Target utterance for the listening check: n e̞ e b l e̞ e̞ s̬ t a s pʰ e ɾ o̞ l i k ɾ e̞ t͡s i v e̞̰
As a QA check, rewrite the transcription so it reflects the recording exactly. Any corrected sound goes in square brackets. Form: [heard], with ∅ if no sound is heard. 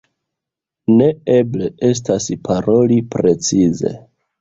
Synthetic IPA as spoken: n e̞ e b l e̞ e̞ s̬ t a s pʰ [a] ɾ o̞ l i [p] ɾ e̞ t͡s i [z] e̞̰

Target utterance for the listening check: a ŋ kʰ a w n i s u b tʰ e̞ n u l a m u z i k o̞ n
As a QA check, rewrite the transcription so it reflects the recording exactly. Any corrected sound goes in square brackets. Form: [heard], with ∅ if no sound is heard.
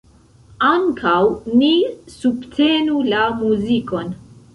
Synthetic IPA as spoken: a ŋ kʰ a w n i s u b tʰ e̞ n u l a m u z i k o̞ n

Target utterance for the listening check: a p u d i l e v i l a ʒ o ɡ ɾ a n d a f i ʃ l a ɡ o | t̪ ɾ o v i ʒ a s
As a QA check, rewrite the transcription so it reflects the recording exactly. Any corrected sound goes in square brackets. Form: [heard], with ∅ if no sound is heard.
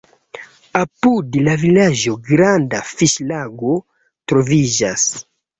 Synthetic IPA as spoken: a p u d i l [a] v i l a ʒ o ɡ ɾ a n d a f i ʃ l a ɡ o | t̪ ɾ o v i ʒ a s

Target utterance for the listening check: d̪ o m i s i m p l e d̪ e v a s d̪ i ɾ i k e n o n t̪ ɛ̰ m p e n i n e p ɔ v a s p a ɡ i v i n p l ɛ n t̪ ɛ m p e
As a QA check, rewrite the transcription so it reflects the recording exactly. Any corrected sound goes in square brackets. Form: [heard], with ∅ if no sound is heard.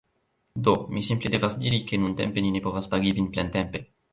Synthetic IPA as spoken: d̪ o m i s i m p l e d̪ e v a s d̪ i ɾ i k e n [u] n t̪ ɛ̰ m p e n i n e p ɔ v a s p a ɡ i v i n p l ɛ n t̪ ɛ m p e

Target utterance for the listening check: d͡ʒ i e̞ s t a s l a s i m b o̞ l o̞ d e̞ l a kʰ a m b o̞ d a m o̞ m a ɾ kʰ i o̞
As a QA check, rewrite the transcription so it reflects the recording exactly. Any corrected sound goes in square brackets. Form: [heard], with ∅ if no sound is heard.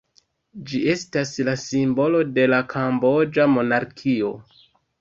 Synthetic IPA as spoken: d͡ʒ i e̞ s t a s l a s i m b o̞ l o̞ d e̞ l a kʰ a m b o̞ [d͡ʒ] a m o̞ [n] a ɾ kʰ i o̞

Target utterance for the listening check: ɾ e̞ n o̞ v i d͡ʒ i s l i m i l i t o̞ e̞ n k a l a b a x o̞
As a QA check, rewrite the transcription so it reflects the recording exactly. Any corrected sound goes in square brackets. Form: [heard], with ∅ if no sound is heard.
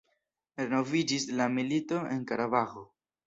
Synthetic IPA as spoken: ɾ e̞ n o̞ v i d͡ʒ i s l [a] m i l i t o̞ e̞ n k a [ɾ] a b a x o̞

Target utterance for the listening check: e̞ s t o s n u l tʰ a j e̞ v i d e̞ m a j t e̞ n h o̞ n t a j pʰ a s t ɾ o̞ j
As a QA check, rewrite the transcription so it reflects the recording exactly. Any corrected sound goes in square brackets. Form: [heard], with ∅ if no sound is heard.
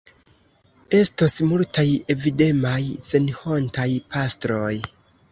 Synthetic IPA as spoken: e̞ s t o s [m] u l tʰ a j e̞ v i d e̞ m a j [s] e̞ n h o̞ n t a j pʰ a s t ɾ o̞ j

